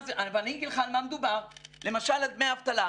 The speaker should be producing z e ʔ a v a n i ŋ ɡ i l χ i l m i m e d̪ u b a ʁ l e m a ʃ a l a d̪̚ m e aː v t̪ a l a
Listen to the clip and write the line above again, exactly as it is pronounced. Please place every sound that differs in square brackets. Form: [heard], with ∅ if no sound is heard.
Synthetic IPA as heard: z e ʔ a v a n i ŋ ɡ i l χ [a] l m [a] m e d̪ u b a ʁ l e m a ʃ a l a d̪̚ m e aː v t̪ a l a